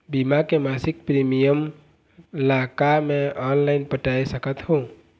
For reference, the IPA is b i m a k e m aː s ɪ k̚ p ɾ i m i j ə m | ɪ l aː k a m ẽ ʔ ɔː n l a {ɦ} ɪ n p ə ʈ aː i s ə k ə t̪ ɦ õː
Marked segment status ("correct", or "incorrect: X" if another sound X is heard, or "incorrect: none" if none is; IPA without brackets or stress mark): incorrect: none